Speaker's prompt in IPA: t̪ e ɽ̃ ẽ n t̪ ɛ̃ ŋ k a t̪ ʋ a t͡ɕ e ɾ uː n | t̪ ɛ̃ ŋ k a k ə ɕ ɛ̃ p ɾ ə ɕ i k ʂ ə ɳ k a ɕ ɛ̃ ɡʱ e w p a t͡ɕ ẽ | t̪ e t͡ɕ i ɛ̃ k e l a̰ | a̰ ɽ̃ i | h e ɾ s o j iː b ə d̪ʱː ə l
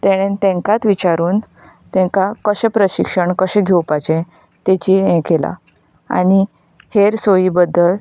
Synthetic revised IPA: t̪ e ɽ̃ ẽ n t̪ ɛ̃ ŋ k a t̪ ʋ i t͡ɕ a ɾ uː n | t̪ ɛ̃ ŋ k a k ə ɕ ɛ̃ p ɾ ə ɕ i k ʂ ə ɳ k ə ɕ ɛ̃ ɡʱ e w p a t͡ɕ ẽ | t̪ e t͡ɕ i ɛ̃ k e l a̰ | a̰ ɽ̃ i | h e ɾ s o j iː b ə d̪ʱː ə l

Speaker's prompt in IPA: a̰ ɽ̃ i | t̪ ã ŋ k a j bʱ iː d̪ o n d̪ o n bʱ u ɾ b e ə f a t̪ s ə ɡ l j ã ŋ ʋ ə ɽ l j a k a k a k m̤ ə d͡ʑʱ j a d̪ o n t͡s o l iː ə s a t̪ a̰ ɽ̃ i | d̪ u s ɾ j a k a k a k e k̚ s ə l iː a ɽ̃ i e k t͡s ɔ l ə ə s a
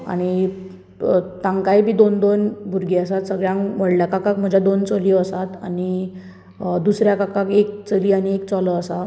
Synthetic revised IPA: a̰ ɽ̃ i | t̪ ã ŋ k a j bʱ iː d̪ o n d̪ o n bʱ u ɾ ɡ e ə s a t̪ s ə ɡ ɭ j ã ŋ ʋ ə ɽ l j a k a k a k m̤ ə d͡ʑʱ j a d̪ o n t͡s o l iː ə s a t̪ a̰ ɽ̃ i | d̪ u s ɾ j a k a k a k e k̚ t͡s ə l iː a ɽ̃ i e k t͡s ɔ l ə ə s a

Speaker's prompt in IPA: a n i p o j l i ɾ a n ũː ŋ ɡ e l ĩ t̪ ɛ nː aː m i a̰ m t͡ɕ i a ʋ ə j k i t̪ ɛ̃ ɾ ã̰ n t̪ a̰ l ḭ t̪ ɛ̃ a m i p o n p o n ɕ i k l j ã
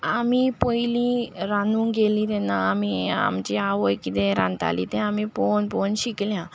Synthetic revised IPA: a m i p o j l i ɾ a n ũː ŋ ɡ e l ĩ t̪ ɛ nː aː m i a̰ m t͡ɕ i a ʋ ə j k i t̪ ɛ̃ ɾ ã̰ n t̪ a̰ l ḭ t̪ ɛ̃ a m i p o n p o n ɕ i k l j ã

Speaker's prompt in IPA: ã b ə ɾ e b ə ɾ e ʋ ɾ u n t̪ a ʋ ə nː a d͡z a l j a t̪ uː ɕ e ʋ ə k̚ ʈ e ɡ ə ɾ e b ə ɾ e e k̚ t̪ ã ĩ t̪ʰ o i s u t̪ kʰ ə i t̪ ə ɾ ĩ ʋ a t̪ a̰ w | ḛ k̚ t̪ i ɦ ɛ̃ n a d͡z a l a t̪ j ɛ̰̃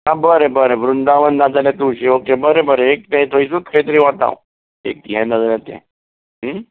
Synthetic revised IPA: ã b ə ɾ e b ə ɾ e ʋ ɾ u n d̪ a ʋ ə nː a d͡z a l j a t̪ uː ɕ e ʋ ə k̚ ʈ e b ə ɾ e b ə ɾ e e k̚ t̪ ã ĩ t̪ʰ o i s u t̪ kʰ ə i t̪ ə ɾ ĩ ʋ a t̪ a̰ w | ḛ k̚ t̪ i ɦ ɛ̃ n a d͡z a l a t̪ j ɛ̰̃

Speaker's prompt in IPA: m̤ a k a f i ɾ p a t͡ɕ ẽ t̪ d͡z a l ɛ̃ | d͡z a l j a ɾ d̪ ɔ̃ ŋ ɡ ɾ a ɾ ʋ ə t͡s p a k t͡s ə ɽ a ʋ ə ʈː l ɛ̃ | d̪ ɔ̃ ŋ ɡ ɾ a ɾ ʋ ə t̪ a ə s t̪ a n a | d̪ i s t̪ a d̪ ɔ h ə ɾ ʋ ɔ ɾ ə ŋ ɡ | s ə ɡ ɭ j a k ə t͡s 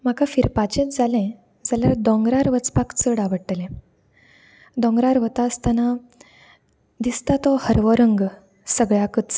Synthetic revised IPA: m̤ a k a f i ɾ p a t͡ɕ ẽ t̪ d͡z a l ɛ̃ | d͡z a l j a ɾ d̪ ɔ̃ ŋ ɡ ɾ a ɾ ʋ ə t͡s p a k t͡s ə ɽ a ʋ ə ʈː l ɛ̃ | d̪ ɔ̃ ŋ ɡ ɾ a ɾ ʋ ə t̪ a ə s t̪ a n a | d̪ i s t̪ a t̪ ɔ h ə ɾ ʋ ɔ ɾ ə ŋ ɡ | s ə ɡ ɭ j a k ə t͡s

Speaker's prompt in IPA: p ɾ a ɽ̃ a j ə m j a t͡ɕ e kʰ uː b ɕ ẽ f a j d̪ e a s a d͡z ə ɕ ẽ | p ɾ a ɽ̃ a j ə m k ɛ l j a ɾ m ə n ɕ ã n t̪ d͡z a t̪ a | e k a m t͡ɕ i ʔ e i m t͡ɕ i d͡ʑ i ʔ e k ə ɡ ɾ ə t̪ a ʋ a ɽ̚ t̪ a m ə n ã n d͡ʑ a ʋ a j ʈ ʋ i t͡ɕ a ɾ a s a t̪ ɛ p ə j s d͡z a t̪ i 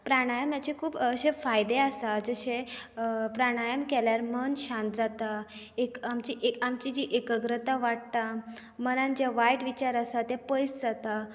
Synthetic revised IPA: p ɾ a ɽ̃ a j ə m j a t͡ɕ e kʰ uː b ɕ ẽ f a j d̪ e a s a d͡z ə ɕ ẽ | p ɾ a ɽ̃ a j ə m k ɛ l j a ɾ m ə n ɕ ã n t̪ d͡z a t̪ a | e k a m t͡ɕ i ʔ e a m t͡ɕ i d͡ʑ i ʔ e k ə ɡ ɾ ə t̪ a ʋ a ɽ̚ t̪ a m ə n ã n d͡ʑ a ʋ a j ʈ ʋ i t͡ɕ a ɾ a s a t̪ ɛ p ə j s d͡z a t̪ a

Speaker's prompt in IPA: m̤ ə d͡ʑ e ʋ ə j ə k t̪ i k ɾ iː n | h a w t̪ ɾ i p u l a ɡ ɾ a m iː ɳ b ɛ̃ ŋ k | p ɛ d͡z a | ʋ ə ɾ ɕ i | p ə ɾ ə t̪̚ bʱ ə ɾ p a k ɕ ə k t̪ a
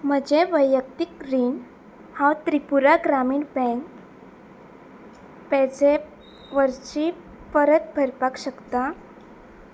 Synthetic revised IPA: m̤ ə d͡ʑ e ʋ ə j ə k t̪ i k ɾ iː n | h a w t̪ ɾ i p u ɾ a ɡ ɾ a m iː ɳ b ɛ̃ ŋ k | p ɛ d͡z e | ʋ ə ɾ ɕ i | p ə ɾ ə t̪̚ bʱ ə ɾ p a k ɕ ə k t̪ a

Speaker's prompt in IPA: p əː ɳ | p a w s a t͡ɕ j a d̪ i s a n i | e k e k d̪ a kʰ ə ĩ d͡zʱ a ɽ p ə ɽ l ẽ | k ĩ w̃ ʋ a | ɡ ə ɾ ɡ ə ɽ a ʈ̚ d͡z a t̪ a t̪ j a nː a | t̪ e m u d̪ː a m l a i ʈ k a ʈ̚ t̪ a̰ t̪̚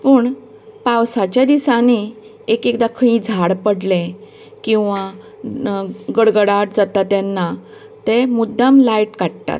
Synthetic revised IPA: p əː ɳ | p a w s a t͡ɕ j a d̪ i s a n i | e k e k d̪ a kʰ ə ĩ d͡zʱ a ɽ p ə ɽ l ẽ | k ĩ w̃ ʋ a | ɡ ə ɽ ɡ ə ɽ a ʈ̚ d͡z a t̪ a t̪ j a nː a | t̪ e m u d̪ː a m l a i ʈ k a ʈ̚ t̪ a̰ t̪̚

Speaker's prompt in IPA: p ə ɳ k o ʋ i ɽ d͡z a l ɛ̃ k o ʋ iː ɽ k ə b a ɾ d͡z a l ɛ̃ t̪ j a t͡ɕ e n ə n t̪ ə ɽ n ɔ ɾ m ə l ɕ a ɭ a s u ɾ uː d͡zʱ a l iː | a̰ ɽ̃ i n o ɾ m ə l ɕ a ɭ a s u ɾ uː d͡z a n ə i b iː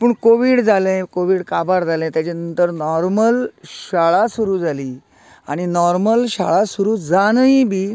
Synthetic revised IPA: p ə ɳ k o ʋ i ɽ d͡z a l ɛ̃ k o ʋ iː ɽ k a b a ɾ d͡z a l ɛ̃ t̪ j a t͡ɕ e n ə n t̪ ə ɾ n ɔ ɾ m ə l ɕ a ɭ a s u ɾ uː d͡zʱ a l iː | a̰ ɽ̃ i n ɔ ɾ m ə l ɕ a ɭ a s u ɾ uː d͡z a n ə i b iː

